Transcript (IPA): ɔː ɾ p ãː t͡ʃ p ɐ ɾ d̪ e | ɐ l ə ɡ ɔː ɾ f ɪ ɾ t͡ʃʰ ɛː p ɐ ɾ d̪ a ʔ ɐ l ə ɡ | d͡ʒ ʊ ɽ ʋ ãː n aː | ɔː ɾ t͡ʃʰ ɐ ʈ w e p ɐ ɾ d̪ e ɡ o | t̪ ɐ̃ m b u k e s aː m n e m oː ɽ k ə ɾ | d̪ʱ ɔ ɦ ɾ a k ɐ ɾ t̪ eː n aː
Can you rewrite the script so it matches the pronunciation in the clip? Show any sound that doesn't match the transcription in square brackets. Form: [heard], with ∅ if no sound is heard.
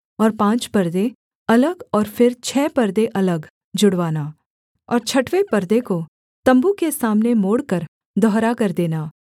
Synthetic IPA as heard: ɔː ɾ p ãː t͡ʃ p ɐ ɾ d̪ e | ɐ l ə ɡ ɔː ɾ f ɪ ɾ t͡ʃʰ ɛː p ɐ ɾ d̪ [e] ʔ ɐ l ə ɡ | d͡ʒ ʊ ɽ ʋ [aː] n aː | ɔː ɾ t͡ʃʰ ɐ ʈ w e p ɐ ɾ d̪ e [k] o | t̪ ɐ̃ m b u k e s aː m n e m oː ɽ k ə ɾ | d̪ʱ ɔ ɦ ɾ a k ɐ ɾ [d̪] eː n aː